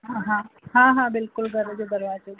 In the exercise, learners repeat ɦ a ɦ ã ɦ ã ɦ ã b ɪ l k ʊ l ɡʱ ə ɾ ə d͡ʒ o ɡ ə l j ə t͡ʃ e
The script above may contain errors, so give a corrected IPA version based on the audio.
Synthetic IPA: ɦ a ɦ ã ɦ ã ɦ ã b ɪ l k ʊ l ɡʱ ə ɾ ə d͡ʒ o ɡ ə ɾ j a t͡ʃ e